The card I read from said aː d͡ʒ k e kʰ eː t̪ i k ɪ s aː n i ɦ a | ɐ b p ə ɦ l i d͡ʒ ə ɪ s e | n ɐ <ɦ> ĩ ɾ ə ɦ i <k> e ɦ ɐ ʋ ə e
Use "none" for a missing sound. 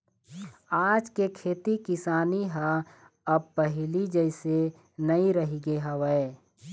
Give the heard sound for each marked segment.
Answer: none, ɡ

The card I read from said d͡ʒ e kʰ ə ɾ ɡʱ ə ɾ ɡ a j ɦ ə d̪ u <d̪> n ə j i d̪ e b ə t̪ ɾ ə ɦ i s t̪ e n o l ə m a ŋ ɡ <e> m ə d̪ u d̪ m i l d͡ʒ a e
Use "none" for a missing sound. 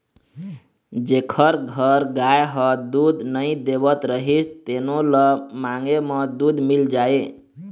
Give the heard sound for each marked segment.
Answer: d̪, e

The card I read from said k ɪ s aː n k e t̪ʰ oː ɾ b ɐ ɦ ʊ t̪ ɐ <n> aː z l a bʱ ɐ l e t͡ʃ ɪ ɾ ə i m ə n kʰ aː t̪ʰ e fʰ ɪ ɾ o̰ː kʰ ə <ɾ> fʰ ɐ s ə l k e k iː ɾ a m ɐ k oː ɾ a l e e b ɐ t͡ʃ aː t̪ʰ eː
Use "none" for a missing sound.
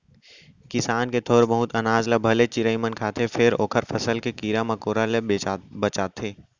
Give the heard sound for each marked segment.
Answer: n, ɾ

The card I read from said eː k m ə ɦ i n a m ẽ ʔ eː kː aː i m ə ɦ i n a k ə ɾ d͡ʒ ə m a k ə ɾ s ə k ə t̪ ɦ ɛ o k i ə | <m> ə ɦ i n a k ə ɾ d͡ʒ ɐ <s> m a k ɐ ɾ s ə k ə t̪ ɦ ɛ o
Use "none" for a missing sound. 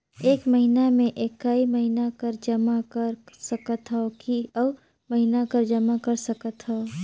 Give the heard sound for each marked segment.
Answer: m, none

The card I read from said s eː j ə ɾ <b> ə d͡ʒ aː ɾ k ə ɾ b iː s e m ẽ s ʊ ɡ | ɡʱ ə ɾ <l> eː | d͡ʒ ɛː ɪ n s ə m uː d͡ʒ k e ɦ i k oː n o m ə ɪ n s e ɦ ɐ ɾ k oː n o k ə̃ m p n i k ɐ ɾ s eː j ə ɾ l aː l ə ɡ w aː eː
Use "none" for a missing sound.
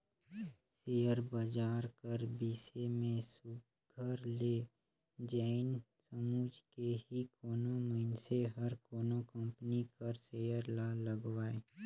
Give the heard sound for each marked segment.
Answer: b, l

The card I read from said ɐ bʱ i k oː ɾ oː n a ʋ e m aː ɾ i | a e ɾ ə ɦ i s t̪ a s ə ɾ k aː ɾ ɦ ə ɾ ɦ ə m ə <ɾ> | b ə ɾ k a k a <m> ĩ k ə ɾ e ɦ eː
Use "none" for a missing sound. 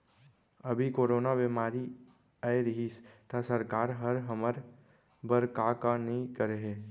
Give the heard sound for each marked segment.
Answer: ɾ, n

